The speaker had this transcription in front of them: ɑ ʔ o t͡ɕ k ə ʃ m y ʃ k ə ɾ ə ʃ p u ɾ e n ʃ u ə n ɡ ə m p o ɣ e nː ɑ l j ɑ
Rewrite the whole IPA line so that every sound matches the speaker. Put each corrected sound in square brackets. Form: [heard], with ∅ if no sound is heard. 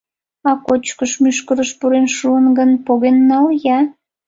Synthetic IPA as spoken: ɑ [k] o t͡ɕ k ə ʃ m y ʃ k ə ɾ ə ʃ p u ɾ e n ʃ u ə n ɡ ə [n] p o ɣ e nː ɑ l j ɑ